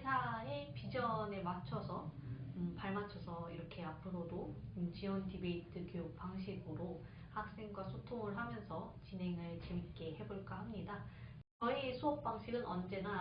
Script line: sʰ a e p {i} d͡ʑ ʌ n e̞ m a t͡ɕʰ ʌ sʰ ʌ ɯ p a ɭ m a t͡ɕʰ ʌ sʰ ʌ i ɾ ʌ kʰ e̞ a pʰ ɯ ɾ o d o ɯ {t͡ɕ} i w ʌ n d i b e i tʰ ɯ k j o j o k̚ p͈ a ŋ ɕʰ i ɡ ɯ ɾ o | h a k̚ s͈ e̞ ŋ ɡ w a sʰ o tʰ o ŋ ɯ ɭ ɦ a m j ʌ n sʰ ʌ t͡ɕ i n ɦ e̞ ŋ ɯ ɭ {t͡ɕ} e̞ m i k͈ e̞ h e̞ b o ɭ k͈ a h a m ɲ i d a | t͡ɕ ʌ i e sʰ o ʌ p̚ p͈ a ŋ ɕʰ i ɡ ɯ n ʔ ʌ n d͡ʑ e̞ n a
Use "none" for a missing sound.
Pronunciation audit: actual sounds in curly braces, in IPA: i, t͡ɕ, t͡ɕ

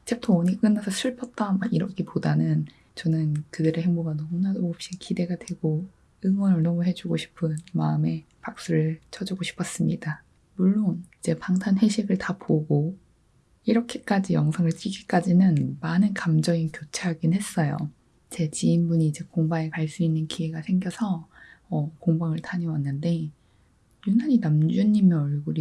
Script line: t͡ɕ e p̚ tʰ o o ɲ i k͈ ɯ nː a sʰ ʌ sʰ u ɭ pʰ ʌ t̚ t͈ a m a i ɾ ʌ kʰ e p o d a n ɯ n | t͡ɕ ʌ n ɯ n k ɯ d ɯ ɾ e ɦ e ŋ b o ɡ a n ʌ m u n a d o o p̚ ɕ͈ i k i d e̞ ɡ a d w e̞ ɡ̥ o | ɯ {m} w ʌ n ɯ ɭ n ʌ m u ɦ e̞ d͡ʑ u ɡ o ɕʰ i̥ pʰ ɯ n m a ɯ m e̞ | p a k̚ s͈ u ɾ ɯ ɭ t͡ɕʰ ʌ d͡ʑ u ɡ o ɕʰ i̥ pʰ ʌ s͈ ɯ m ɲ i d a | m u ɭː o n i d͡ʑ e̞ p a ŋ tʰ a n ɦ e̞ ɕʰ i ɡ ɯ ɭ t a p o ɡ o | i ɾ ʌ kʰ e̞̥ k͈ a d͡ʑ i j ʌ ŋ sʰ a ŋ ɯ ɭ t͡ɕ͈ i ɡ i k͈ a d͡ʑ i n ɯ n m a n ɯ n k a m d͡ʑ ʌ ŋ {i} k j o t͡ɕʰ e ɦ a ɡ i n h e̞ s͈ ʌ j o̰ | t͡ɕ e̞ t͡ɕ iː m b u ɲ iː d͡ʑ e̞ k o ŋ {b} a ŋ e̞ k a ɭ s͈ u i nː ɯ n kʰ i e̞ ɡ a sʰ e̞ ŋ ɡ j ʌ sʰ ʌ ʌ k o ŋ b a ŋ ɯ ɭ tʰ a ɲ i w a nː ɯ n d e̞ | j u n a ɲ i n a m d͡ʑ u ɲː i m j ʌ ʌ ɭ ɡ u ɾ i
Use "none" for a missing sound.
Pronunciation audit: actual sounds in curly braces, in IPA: ŋ, i, b

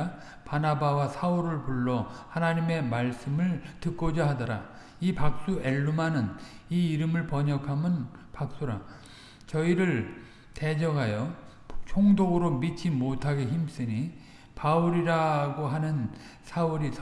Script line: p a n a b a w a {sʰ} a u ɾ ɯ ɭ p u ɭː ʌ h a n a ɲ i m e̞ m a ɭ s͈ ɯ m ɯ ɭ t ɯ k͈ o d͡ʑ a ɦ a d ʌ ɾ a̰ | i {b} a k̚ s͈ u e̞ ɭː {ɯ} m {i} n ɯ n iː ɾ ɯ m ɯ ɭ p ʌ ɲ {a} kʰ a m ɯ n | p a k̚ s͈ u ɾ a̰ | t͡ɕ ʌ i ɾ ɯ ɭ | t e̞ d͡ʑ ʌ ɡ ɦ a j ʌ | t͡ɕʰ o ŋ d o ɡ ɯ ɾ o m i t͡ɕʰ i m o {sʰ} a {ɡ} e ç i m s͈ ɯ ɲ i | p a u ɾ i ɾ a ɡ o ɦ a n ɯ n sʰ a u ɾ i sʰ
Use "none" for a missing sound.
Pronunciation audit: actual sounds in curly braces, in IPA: sʰ, p, u, a, ʌ, tʰ, ɡ

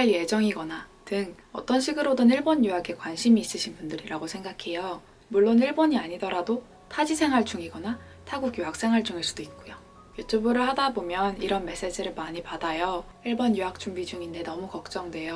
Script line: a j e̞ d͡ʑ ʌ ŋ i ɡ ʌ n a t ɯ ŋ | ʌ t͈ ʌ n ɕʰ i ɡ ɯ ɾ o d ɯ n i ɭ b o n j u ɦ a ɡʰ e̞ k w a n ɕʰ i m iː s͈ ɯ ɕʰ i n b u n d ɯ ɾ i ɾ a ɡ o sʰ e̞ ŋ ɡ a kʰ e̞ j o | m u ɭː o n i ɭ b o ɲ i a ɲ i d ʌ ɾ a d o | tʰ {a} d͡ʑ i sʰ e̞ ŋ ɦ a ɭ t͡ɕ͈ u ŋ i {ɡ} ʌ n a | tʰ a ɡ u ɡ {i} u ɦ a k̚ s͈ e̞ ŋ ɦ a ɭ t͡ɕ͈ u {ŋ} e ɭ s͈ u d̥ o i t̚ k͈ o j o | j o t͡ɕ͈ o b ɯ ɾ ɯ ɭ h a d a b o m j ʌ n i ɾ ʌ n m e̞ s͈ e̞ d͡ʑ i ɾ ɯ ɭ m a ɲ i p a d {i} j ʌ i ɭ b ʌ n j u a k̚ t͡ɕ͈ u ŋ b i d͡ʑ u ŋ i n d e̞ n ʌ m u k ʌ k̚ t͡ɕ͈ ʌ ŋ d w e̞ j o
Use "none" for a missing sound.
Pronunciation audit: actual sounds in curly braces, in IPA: a, ɡ, j, ŋ, a

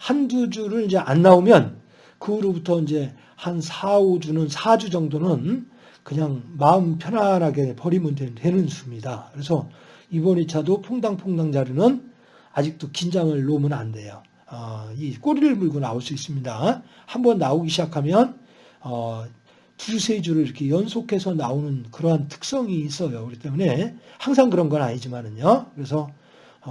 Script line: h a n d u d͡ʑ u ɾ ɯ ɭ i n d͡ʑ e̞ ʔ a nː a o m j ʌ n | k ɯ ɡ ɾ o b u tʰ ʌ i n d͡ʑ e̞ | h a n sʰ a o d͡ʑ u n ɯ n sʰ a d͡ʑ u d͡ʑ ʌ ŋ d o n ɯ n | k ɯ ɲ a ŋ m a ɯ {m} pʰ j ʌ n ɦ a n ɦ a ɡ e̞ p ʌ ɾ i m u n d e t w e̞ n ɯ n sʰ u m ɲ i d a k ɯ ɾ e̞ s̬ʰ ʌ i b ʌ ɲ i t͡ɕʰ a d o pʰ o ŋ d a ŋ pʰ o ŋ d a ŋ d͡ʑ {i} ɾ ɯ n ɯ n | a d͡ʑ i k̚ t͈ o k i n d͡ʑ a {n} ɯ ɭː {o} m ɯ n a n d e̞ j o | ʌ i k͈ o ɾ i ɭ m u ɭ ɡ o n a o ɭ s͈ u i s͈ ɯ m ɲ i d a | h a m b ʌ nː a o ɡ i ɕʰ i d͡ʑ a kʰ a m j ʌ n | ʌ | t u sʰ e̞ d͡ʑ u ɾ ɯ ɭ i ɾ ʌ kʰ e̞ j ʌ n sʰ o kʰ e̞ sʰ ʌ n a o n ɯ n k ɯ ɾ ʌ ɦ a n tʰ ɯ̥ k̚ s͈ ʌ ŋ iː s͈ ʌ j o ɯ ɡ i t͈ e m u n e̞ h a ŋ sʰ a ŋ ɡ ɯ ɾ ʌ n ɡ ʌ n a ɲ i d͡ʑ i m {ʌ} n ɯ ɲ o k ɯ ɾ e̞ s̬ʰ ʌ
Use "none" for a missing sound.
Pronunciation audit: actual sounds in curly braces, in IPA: m, a, ŋ, o, a

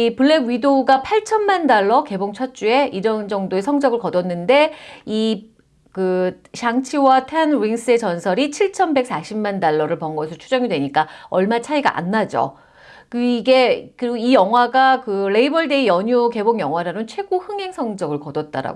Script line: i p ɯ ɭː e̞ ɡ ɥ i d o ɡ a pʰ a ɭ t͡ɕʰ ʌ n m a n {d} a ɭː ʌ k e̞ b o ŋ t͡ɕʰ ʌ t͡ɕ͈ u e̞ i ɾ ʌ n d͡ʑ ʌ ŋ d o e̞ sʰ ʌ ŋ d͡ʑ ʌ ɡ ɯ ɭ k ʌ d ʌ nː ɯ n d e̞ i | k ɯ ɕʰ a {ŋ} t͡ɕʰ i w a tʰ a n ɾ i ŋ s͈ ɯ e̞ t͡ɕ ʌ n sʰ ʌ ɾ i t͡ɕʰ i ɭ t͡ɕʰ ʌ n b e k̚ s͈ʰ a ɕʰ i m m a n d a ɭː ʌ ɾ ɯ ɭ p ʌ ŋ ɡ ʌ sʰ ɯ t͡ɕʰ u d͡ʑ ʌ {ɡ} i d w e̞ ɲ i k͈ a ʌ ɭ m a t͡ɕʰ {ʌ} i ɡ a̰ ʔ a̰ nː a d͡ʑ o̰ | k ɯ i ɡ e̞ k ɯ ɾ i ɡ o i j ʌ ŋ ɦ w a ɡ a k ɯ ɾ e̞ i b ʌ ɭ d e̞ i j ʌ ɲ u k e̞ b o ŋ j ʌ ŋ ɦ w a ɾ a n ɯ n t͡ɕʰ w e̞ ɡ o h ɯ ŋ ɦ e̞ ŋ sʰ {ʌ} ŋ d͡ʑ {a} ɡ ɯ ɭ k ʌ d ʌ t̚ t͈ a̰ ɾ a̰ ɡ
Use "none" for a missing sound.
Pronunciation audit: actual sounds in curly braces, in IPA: d, ŋ, ŋ, a, ʌ, ʌ

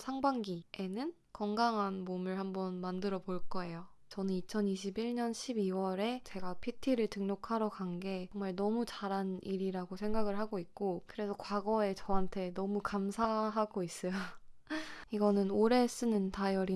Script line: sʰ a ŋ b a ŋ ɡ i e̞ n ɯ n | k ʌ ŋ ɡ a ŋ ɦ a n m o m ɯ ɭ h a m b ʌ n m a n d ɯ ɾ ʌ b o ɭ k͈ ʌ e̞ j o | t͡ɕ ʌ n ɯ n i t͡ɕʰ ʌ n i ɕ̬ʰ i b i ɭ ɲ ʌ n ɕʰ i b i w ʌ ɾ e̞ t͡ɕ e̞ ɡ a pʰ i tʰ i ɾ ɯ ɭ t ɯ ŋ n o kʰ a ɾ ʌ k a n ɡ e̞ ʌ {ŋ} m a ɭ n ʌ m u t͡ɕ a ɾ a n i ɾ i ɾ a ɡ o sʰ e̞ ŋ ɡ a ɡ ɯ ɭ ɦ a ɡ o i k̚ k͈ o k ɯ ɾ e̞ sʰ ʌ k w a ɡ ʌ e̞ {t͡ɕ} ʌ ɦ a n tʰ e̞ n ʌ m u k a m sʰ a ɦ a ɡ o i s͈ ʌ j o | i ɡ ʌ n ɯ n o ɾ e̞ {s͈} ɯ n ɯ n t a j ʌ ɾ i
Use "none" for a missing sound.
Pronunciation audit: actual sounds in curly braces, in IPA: ŋ, t͡ɕ, s͈

